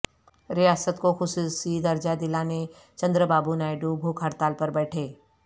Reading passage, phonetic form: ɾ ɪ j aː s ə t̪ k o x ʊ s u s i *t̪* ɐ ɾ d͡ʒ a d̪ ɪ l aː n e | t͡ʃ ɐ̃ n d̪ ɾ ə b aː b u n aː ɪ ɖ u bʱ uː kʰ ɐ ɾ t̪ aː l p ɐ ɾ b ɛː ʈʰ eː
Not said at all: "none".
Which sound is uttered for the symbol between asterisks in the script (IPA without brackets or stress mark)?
d̪